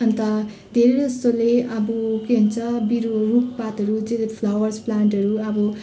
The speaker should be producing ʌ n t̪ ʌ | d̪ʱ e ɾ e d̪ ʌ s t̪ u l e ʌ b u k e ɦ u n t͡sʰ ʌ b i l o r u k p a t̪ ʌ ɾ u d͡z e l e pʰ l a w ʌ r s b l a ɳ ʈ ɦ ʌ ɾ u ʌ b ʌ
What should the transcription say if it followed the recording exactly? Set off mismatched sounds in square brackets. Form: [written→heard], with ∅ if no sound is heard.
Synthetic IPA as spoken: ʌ n t̪ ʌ | d̪ʱ e ɾ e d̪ ʌ s t̪ [u→o] l e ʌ b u k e ɦ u n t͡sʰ ʌ b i [l→ɾ] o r u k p a t̪ ʌ ɾ u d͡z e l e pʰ l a w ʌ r s [b→p] l a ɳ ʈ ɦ ʌ ɾ u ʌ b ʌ